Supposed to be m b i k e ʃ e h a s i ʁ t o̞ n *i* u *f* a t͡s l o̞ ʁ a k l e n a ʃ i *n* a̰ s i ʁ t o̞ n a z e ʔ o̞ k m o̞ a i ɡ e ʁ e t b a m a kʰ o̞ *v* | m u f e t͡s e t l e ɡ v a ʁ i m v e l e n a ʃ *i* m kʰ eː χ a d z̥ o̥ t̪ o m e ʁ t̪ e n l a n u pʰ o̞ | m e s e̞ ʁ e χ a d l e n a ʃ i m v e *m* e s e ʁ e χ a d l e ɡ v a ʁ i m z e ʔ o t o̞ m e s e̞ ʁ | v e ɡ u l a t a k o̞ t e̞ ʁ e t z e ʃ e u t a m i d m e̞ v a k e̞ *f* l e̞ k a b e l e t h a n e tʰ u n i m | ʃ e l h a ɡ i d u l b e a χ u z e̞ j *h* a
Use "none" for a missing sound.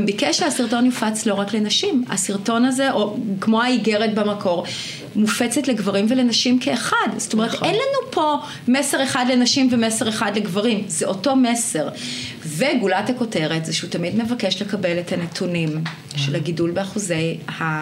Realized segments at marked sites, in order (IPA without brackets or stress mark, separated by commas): j, f, m, ʁ, i, m, ʃ, h